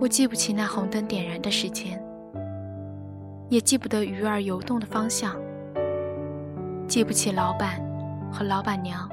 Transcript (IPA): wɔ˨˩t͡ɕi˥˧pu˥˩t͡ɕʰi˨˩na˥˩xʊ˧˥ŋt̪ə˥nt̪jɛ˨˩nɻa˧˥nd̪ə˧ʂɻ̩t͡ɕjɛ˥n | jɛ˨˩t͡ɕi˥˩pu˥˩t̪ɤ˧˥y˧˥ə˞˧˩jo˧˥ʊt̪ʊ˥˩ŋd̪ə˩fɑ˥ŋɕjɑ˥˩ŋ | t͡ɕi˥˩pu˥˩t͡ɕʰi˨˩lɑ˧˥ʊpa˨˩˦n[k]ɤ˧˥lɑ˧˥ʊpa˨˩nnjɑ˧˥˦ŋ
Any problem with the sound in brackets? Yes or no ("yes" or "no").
yes